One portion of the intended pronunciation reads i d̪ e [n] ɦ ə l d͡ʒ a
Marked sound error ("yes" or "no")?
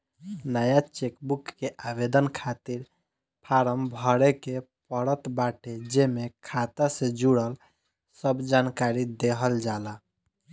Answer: yes